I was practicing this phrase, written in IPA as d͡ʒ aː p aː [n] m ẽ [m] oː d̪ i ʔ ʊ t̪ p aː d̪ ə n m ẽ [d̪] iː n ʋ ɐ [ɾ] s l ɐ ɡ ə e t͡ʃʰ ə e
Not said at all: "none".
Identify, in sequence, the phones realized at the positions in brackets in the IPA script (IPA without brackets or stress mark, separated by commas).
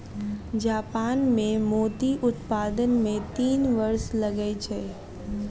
n, m, t̪, ɾ